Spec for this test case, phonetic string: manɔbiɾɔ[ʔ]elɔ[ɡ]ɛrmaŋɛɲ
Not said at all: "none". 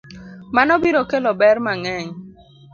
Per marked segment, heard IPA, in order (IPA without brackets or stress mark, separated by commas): k, b